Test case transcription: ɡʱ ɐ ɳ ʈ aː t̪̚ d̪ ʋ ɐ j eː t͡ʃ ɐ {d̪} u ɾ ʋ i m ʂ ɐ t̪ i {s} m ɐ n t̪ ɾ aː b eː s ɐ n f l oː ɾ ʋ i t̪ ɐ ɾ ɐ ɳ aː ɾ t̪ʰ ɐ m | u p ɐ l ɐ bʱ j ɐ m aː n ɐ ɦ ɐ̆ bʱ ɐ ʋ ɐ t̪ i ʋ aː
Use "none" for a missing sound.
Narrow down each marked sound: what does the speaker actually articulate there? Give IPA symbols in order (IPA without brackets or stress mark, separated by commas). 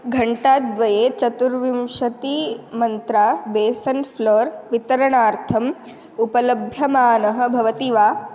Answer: t̪, none